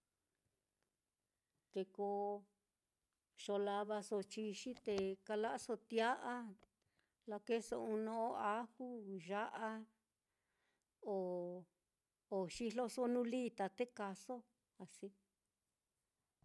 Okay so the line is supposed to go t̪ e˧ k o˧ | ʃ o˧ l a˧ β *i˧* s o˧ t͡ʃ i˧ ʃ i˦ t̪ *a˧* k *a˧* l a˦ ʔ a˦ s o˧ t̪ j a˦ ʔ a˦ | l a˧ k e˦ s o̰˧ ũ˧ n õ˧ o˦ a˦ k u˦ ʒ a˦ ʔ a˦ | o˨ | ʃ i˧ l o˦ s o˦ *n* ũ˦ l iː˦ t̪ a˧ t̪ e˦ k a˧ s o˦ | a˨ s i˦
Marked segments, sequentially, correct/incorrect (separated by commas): incorrect, incorrect, correct, correct